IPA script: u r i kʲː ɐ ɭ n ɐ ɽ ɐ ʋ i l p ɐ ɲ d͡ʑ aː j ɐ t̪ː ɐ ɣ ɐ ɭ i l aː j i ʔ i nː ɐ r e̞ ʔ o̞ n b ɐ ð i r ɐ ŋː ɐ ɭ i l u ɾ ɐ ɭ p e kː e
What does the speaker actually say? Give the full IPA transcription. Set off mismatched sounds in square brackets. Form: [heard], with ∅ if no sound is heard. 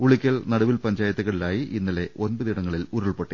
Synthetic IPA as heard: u [ɭ] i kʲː ɐ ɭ n ɐ ɽ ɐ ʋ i l p ɐ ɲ d͡ʑ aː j ɐ t̪ː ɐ ɣ ɐ ɭ i l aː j i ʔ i nː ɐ [l] e̞ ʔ o̞ n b ɐ ð i [ɽ] ɐ ŋː ɐ ɭ i l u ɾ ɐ ɭ p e [ʈː] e